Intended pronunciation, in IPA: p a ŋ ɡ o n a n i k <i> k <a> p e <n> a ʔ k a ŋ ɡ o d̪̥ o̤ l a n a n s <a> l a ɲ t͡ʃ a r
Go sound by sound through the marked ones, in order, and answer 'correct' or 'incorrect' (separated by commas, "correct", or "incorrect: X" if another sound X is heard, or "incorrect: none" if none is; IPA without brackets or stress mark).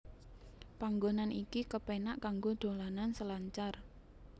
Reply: correct, incorrect: ə, correct, incorrect: ə